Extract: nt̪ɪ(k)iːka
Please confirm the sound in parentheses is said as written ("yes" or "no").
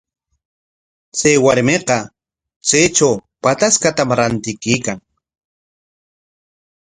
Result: yes